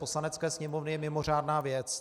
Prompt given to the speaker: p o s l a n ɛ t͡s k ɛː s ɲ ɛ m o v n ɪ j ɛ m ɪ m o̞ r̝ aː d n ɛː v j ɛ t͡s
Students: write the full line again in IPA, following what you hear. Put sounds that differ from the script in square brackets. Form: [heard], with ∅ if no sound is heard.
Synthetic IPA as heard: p o s l a n ɛ t͡s k ɛː s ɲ ɛ m o v n ɪ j ɛ m ɪ m o̞ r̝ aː d n [aː] v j ɛ t͡s